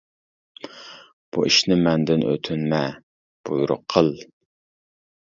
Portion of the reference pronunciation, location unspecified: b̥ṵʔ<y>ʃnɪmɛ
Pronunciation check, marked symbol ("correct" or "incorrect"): incorrect